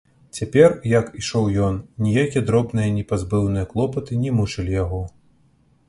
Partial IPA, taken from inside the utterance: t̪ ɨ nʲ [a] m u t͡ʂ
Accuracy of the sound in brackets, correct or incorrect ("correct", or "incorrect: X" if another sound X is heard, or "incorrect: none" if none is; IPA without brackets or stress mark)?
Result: incorrect: ɛ